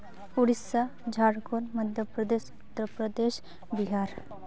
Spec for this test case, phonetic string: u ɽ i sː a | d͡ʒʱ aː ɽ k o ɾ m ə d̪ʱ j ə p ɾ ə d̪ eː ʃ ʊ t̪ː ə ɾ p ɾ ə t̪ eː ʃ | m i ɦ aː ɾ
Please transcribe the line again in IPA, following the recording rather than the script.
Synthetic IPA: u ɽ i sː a | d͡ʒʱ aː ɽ k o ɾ m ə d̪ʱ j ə p ɾ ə d̪ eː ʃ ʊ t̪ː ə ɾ p ɾ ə d̪ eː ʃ | b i ɦ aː ɾ